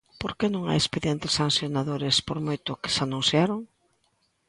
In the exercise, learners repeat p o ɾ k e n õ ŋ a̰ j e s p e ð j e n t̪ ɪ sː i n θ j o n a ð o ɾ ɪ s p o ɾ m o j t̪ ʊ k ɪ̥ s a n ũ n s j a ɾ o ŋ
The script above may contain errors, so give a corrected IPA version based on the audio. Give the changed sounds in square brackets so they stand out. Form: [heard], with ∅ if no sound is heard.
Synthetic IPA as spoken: p o ɾ k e n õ ŋ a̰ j e s p e ð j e n t̪ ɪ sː [a] n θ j o n a ð o ɾ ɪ s p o ɾ m o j t̪ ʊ k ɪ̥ s a n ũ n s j a ɾ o ŋ